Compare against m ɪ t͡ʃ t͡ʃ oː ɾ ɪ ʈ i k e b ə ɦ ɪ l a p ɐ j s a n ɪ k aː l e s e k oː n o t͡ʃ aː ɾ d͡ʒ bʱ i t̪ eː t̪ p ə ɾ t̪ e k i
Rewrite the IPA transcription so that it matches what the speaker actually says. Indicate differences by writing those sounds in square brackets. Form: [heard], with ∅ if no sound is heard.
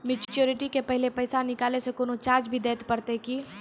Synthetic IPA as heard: m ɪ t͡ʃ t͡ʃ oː ɾ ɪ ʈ i k e [p] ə ɦ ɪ l [e] p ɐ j s a n ɪ k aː l e s e k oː n o t͡ʃ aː ɾ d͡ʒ bʱ i [d̪] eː t̪ p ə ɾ t̪ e k i